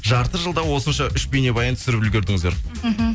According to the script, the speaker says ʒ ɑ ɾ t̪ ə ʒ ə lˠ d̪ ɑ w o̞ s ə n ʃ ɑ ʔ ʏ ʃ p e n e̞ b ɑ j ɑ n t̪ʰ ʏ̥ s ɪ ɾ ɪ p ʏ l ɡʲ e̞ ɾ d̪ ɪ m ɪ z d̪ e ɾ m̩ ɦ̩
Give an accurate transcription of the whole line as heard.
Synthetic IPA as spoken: ʒ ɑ ɾ t̪ ə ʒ ə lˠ d̪ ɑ w o̞ s ə n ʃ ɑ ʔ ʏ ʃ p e n e̞ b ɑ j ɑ n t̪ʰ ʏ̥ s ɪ ɾ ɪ p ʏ l ɡʲ e̞ ɾ d̪ ɪ ŋ ɪ z d̪ e ɾ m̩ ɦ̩